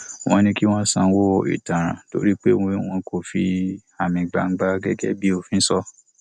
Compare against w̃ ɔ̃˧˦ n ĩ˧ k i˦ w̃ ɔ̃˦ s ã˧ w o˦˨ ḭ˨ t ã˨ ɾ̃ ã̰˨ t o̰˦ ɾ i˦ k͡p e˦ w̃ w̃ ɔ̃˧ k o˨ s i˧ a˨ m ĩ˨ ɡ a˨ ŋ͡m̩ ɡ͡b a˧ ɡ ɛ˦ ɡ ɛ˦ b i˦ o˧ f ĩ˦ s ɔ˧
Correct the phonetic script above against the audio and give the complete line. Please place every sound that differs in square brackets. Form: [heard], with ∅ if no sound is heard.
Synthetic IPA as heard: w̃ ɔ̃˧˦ n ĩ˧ k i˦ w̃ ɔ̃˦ s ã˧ w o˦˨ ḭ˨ t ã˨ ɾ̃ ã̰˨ t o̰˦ ɾ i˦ k͡p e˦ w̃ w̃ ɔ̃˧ k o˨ [f] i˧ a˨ m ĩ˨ [ɡ͡b] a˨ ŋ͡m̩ ɡ͡b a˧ ɡ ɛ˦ ɡ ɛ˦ b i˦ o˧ f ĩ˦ s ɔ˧